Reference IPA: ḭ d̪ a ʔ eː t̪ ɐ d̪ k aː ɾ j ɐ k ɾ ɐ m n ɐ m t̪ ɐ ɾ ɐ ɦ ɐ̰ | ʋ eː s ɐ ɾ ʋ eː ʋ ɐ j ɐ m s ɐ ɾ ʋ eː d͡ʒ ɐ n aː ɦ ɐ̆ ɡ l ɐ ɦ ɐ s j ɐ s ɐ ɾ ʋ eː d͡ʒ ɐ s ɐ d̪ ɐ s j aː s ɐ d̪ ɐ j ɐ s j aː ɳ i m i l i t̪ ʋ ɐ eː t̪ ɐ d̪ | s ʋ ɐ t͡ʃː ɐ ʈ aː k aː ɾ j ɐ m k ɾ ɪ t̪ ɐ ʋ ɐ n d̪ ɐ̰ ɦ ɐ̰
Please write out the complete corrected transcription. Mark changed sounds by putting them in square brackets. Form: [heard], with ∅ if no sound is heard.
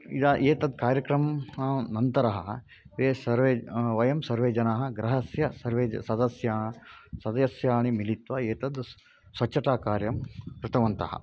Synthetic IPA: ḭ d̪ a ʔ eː t̪ ɐ d̪ k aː ɾ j ɐ k ɾ ɐ m n ɐ [n] t̪ ɐ ɾ ɐ ɦ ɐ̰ | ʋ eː s ɐ ɾ ʋ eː ʋ ɐ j ɐ m s ɐ ɾ ʋ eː d͡ʒ ɐ n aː ɦ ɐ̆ ɡ [ɾ] ɐ ɦ ɐ s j ɐ s ɐ ɾ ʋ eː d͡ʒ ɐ s ɐ d̪ ɐ s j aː s ɐ d̪ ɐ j ɐ s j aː ɳ i m i l i t̪ ʋ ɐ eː t̪ ɐ d̪ | s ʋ ɐ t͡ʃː ɐ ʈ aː k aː ɾ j ɐ m k ɾ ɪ t̪ ɐ ʋ ɐ n [t̪] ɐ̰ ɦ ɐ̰